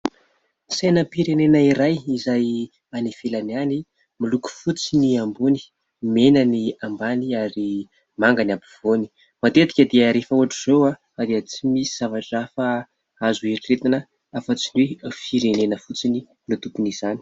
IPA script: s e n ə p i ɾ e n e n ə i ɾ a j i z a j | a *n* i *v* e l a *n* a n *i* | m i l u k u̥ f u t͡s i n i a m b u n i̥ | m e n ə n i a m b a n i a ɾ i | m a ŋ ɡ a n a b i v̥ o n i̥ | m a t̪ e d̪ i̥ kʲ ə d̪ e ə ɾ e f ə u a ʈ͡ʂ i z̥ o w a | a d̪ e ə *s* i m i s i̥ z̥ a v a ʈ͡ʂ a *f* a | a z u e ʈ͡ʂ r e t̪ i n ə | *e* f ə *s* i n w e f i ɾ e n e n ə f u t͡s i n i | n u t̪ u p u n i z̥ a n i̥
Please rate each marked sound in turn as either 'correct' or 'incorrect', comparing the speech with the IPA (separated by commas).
correct, incorrect, correct, correct, incorrect, correct, incorrect, incorrect